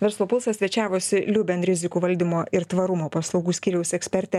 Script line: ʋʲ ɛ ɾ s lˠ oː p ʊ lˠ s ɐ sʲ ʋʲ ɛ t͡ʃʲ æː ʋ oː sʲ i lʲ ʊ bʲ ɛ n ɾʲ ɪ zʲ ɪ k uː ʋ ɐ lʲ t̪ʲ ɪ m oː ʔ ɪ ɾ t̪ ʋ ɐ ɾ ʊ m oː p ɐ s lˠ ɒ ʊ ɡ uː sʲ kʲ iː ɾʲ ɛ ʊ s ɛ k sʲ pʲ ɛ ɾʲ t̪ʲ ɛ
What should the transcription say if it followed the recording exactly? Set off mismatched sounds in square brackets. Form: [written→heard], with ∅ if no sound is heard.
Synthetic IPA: ʋʲ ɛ ɾ s lˠ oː p ʊ lˠ s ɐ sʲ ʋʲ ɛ t͡ʃʲ æː ʋ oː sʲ [i→ɪ] lʲ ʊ bʲ ɛ n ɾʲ ɪ zʲ ɪ k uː ʋ ɐ lʲ [t̪ʲ→d̪ʲ] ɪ m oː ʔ ɪ ɾ t̪ ʋ ɐ ɾ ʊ m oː p ɐ s lˠ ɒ ʊ ɡ uː sʲ kʲ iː ɾʲ ɛ ʊ s ɛ k sʲ pʲ ɛ ɾʲ t̪ʲ ɛ